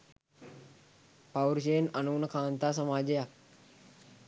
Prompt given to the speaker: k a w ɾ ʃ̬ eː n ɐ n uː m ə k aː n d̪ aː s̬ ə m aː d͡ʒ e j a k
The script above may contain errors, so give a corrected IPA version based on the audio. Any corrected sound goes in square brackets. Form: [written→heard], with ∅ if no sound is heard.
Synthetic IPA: [k→p] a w ɾ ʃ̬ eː n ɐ n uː [m→n] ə k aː n [d̪→t̪] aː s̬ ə m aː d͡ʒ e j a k